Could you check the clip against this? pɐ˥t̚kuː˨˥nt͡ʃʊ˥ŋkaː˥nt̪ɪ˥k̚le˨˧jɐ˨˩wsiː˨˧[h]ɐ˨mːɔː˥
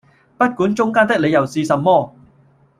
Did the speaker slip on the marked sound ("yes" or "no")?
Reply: yes